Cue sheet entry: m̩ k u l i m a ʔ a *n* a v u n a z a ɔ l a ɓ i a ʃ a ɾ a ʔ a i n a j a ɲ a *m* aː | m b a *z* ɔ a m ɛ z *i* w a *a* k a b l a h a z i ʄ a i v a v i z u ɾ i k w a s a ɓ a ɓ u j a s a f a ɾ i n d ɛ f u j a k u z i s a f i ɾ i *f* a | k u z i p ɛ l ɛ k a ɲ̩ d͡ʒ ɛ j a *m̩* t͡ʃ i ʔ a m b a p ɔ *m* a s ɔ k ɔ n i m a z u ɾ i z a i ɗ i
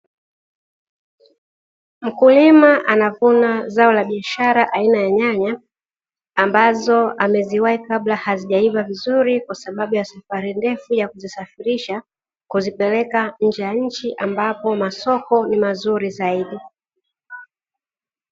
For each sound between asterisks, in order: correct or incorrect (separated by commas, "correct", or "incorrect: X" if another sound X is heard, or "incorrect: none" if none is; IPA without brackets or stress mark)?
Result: correct, incorrect: ɲ, correct, correct, incorrect: i, incorrect: ʃ, incorrect: ɲ̩, correct